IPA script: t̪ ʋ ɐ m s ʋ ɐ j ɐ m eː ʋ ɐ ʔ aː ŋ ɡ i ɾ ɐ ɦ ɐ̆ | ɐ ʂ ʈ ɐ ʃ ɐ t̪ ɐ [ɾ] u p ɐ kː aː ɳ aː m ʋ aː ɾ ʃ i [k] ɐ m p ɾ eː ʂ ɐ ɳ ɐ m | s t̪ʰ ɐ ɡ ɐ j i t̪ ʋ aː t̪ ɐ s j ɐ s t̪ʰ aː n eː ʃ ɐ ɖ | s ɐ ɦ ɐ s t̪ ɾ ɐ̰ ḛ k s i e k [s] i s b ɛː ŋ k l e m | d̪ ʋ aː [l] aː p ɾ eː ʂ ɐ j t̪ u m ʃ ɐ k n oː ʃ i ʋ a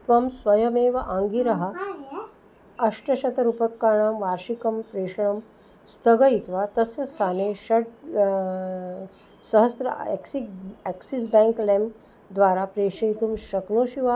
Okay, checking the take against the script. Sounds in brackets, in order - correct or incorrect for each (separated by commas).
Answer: correct, correct, correct, incorrect